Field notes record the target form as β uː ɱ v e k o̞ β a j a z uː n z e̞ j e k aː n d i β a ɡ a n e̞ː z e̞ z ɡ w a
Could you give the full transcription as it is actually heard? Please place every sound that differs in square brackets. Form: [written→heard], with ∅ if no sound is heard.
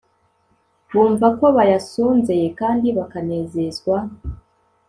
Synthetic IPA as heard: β uː ɱ v [e→a] k o̞ β a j a [z→s] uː n z e̞ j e k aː n d i β a [ɡ→k] a n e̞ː z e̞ z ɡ w a